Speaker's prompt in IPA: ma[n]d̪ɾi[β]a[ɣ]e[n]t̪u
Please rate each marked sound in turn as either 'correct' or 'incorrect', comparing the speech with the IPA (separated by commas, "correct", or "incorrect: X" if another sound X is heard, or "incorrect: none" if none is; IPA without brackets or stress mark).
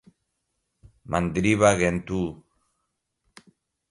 correct, correct, correct, correct